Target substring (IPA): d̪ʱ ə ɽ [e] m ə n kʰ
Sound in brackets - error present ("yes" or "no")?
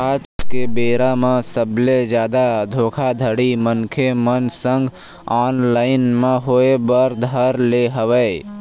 yes